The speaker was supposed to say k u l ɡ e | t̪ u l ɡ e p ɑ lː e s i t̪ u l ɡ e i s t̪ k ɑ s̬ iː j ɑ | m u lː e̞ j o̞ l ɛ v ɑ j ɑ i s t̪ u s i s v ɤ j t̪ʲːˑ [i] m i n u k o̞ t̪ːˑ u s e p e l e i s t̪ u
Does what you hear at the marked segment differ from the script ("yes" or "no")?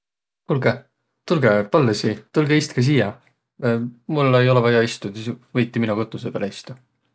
no